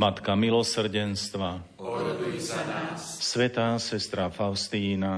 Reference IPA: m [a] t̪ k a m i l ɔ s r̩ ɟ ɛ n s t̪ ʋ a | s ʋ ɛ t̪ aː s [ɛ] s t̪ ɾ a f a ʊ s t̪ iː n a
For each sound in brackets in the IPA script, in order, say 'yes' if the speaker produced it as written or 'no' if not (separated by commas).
yes, yes